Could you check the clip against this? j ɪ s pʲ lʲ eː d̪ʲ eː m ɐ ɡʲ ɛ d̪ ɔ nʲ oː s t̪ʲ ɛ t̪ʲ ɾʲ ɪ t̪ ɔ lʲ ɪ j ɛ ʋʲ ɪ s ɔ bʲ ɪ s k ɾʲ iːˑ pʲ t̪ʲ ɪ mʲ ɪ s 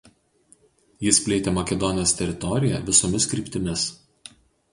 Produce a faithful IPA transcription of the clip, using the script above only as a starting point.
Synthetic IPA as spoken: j ɪ s pʲ lʲ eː t̪ʲ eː m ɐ kʲ ɛ d̪ ɔ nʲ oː s t̪ʲ ɛ ɾʲ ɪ t̪ ɔ ɾʲ ɪ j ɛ ʋʲ ɪ s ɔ mʲ ɪ s k ɾʲ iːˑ pʲ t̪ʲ ɪ mʲ ɪ s